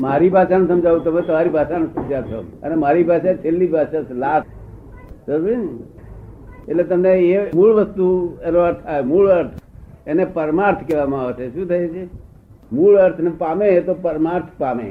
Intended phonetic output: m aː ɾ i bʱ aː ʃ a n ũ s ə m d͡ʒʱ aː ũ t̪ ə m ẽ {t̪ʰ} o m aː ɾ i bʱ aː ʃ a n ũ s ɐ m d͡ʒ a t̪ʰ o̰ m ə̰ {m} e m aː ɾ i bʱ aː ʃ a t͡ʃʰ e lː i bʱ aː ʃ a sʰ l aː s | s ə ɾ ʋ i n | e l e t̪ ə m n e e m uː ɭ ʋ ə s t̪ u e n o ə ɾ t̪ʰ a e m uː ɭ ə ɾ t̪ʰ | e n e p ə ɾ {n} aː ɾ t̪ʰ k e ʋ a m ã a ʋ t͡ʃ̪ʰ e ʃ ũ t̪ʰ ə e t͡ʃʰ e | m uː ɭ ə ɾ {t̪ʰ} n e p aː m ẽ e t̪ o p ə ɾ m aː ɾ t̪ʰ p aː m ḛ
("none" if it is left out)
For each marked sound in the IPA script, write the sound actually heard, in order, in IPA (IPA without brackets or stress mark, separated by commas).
t̪, n, m, t̪ʰ